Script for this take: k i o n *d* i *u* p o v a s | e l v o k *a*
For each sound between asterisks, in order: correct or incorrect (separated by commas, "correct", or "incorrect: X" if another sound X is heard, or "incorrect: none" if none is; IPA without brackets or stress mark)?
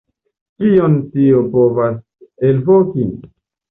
incorrect: t, incorrect: o, incorrect: i